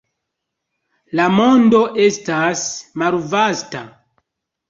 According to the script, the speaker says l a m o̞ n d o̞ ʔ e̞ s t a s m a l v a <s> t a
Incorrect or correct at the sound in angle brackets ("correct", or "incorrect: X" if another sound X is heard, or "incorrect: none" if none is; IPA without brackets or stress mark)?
correct